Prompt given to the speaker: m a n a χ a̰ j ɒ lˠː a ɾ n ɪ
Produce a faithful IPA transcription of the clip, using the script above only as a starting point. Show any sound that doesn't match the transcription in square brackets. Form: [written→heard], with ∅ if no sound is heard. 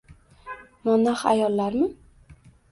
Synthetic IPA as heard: m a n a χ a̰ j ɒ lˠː a ɾ [n→m] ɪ

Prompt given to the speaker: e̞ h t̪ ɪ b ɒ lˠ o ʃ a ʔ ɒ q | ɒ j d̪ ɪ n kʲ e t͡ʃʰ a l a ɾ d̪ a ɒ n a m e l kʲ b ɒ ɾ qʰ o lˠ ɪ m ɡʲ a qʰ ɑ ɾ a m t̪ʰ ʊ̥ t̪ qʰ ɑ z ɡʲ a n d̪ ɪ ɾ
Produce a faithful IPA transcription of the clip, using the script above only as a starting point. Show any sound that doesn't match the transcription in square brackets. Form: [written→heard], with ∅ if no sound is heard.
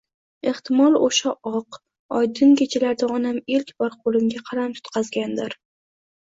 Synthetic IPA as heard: e̞ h t̪ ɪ [b→m] ɒ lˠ o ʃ a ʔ ɒ q | ɒ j d̪ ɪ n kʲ e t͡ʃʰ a l a ɾ d̪ a ɒ n a m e l kʲ b ɒ ɾ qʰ o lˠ ɪ m ɡʲ a qʰ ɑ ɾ a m t̪ʰ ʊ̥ t̪ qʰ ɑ z ɡʲ a n d̪ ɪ ɾ

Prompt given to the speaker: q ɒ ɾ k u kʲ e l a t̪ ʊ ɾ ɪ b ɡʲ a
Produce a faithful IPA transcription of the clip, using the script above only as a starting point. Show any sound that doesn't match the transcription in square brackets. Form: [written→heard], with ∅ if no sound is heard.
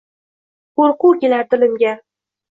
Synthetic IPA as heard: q [ɒ→o] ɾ [k→q] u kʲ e l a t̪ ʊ [ɾ→l] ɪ [b→m] ɡʲ a

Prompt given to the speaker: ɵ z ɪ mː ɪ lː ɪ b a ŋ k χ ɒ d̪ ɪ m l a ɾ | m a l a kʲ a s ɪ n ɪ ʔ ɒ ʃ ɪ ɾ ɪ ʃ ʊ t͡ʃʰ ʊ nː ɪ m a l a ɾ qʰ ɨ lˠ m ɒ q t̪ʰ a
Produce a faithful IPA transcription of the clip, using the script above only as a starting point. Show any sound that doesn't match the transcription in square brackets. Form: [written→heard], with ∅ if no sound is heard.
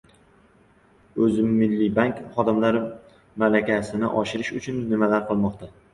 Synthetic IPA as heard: ɵ z ɪ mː ɪ lː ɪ b a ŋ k χ ɒ d̪ ɪ m l a ɾ | m a l a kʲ a s ɪ n ɪ ʔ ɒ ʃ ɪ ɾ ɪ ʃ ʊ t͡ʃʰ ʊ nː ɪ m a l a ɾ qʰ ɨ lˠ m ɒ q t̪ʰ a

